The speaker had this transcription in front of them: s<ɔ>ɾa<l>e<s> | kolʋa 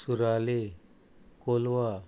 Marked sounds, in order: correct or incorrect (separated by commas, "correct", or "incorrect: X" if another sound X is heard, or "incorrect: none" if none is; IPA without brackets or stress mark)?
incorrect: u, correct, incorrect: none